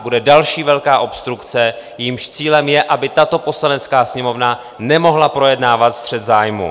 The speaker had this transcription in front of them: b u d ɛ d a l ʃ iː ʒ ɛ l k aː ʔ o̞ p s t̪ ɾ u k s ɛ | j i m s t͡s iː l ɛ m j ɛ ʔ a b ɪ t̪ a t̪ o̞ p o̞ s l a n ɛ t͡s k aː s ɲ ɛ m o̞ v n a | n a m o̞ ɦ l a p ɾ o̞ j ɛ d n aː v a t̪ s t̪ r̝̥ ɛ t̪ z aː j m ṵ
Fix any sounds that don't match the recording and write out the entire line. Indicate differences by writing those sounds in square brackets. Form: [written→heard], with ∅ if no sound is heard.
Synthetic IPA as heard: b u d ɛ d a l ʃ iː [ʒ→v] ɛ l k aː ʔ o̞ p s t̪ ɾ u k [s→t͡s] ɛ | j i m [s→ʃ] t͡s iː l ɛ m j ɛ ʔ a b ɪ t̪ a t̪ o̞ p o̞ s l a n ɛ t͡s k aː s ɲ ɛ m o̞ v n a | n [a→ɛ] m o̞ ɦ l a p ɾ o̞ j ɛ d n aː v a t̪ s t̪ r̝̥ ɛ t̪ z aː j m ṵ